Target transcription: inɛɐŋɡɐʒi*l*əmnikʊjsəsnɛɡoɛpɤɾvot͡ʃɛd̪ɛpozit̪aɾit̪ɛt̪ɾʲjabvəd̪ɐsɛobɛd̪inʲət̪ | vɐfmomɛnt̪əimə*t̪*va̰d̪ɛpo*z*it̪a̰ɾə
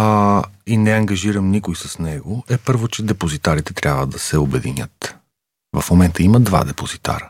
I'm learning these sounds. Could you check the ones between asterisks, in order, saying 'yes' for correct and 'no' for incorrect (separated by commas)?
no, no, yes